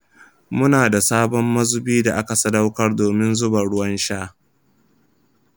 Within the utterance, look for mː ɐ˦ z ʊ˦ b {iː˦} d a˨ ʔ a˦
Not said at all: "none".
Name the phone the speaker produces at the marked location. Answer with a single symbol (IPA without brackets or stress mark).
iː˦